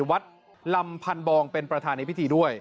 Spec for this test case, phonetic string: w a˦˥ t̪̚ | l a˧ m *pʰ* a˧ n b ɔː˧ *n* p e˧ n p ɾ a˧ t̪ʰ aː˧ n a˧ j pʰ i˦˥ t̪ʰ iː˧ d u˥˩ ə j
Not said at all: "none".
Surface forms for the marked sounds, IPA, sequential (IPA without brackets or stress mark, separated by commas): pʰ, ŋ